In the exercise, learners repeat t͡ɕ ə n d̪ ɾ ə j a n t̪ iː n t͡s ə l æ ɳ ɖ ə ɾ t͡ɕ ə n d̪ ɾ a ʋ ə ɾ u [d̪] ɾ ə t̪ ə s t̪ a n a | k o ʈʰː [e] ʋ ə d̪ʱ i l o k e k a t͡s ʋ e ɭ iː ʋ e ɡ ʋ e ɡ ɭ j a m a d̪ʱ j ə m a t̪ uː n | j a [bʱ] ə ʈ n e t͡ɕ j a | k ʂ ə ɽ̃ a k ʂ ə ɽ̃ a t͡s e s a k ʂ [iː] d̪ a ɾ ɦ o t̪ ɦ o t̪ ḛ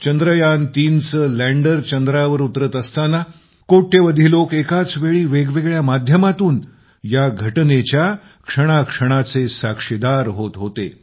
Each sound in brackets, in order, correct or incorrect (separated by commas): incorrect, correct, incorrect, incorrect